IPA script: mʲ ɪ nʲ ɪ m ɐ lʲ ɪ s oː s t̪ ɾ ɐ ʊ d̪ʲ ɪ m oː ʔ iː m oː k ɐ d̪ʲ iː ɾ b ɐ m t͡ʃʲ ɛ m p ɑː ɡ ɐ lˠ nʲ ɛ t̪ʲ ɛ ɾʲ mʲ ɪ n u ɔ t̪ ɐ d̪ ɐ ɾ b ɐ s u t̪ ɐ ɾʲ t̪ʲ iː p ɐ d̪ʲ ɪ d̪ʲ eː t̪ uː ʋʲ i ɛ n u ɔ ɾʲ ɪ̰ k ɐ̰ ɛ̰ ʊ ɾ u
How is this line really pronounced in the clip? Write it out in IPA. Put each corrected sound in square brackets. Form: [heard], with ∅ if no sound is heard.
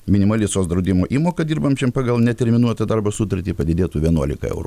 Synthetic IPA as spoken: mʲ ɪ nʲ ɪ m ɐ lʲ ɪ s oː s [d̪] ɾ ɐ ʊ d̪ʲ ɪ m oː ʔ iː m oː k ɐ d̪ʲ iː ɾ b ɐ m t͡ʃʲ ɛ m p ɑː ɡ ɐ lˠ nʲ ɛ t̪ʲ ɛ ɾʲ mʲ ɪ n u ɔ t̪ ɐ d̪ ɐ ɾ b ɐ s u t̪ ɐ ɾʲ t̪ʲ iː p ɐ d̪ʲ ɪ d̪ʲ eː t̪ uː ʋʲ i ɛ n u ɔ [lʲ] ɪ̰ k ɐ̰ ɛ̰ ʊ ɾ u